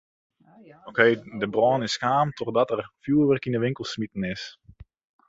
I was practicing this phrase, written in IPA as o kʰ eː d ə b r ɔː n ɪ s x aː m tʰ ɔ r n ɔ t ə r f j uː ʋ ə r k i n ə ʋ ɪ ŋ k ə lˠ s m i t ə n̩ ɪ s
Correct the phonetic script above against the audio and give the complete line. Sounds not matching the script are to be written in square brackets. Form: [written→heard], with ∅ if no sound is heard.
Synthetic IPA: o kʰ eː d ə b r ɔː n ɪ s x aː m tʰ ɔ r [n→d] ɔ t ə r f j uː ʋ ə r k i n ə ʋ ɪ ŋ k ə lˠ s m i t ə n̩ ɪ s